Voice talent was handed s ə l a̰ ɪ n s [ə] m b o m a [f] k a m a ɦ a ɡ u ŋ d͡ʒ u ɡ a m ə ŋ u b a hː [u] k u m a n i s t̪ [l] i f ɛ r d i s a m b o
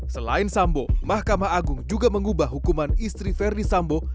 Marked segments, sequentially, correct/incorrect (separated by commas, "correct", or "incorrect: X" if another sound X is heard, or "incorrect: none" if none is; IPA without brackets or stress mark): incorrect: a, incorrect: h, correct, incorrect: ɾ